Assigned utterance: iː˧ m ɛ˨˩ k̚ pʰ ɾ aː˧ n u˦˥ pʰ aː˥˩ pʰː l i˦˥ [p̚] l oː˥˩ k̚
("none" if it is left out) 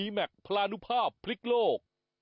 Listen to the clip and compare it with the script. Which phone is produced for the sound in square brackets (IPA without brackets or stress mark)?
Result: k̚